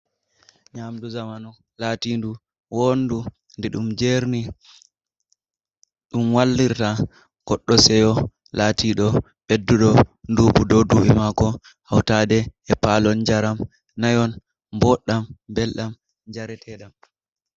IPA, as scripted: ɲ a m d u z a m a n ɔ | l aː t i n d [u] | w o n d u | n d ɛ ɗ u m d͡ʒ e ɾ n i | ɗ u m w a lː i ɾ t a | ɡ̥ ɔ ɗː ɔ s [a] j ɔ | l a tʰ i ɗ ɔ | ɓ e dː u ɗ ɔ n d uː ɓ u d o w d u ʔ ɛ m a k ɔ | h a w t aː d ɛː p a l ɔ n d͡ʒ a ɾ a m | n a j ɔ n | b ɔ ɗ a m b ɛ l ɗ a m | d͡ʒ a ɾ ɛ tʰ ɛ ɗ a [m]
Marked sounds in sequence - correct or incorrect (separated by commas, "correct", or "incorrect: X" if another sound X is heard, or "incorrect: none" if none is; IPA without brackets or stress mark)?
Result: correct, incorrect: ɛ, correct